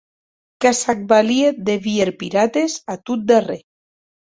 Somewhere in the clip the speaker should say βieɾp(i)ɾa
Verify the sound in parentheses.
correct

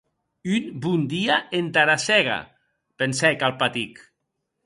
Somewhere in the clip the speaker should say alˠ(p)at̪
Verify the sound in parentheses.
correct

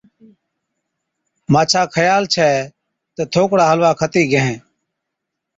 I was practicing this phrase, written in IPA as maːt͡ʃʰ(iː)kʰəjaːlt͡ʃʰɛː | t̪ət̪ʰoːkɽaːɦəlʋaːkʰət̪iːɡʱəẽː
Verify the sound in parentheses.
incorrect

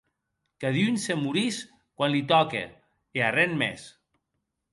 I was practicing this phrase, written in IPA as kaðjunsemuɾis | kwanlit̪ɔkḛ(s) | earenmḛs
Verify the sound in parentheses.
incorrect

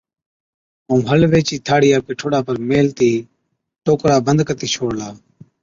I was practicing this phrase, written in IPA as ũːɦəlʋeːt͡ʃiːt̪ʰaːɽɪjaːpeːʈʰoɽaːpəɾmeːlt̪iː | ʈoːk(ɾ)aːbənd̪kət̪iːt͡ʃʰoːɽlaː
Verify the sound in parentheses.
correct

